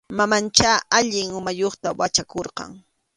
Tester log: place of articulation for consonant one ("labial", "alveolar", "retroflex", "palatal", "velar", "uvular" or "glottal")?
labial